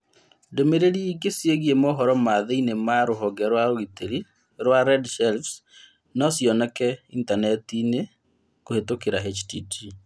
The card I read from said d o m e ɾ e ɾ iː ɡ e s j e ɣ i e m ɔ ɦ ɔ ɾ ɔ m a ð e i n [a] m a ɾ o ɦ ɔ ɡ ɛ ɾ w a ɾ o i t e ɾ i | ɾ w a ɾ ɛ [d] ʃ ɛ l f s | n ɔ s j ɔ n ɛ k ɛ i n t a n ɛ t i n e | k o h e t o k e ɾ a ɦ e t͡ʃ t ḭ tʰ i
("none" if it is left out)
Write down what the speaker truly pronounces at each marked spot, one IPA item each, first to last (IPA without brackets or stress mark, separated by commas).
e, d